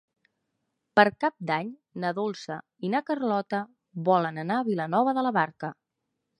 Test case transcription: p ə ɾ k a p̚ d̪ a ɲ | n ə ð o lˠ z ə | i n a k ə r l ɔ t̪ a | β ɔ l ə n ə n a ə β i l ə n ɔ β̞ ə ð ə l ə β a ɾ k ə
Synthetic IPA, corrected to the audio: p ə ɾ k a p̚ d̪ a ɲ | n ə ð o lˠ s ə | i n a k ə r l ɔ t̪ ə | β ɔ l ə n ə n a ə β i l ə n ɔ β̞ ə ð ə l ə β a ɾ k ə